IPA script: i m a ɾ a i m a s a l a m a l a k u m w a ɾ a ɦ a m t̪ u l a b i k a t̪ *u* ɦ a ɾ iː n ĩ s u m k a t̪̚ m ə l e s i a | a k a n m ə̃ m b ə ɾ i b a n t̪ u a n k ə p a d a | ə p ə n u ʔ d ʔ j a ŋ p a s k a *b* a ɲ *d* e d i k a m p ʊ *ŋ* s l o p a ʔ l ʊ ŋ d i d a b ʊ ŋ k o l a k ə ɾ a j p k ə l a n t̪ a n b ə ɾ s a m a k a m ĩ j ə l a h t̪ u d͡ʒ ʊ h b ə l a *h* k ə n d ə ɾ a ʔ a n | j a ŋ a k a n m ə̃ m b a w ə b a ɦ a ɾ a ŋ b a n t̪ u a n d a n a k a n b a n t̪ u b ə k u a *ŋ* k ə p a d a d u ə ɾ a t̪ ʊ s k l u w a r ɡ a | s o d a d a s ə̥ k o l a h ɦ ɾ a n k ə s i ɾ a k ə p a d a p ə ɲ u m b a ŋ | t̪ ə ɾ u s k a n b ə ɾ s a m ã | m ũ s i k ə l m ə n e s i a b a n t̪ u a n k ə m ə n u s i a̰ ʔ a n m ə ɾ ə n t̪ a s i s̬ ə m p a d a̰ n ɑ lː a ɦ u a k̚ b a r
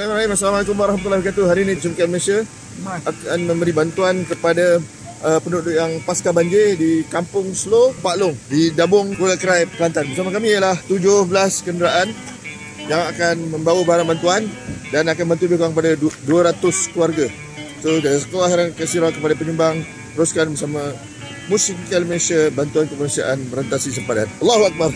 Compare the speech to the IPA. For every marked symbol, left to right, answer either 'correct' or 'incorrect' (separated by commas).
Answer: correct, correct, incorrect, correct, incorrect, correct